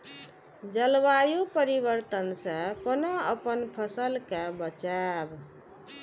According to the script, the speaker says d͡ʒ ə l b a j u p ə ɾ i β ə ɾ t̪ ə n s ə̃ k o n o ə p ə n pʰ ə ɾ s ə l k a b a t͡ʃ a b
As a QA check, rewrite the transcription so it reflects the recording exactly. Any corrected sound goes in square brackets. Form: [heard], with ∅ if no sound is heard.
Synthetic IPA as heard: d͡ʒ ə l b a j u p ə ɾ i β ə ɾ t̪ ə n s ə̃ k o n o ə p ə n pʰ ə [∅] s ə l k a b [ə] t͡ʃ a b